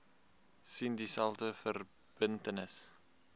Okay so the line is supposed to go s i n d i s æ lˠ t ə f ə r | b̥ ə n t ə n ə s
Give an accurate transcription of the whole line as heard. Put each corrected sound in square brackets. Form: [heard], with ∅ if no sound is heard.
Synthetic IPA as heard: s i n d i s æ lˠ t ə f ə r | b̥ ə n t ə n ə s